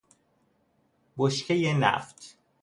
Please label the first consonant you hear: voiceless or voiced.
voiced